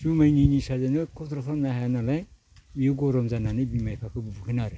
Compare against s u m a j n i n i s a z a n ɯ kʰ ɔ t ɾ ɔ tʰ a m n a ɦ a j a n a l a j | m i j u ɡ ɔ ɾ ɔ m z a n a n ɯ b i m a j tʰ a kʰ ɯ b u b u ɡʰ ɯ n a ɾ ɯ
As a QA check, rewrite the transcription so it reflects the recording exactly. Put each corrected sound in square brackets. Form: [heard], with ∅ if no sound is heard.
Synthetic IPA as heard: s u m a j n i n i s a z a n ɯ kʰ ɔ t ɾ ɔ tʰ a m n a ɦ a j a n a l a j | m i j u ɡ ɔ ɾ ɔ m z a n a n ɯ b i m a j [pʰ] a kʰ ɯ b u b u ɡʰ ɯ n a ɾ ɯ